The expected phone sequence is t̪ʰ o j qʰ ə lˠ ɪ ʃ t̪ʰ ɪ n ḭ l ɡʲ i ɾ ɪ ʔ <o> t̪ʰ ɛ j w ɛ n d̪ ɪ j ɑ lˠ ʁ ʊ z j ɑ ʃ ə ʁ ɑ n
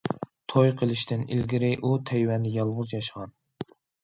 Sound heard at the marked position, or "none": u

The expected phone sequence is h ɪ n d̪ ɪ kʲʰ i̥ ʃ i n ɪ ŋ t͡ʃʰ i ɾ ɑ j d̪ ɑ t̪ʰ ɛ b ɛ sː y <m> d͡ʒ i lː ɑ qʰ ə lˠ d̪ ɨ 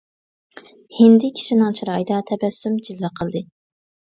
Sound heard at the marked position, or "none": m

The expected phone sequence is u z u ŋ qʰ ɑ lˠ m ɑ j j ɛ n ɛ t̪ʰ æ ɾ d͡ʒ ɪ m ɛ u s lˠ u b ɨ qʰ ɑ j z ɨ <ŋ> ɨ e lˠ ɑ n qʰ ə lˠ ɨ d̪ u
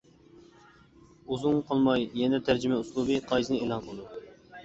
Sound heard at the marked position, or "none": n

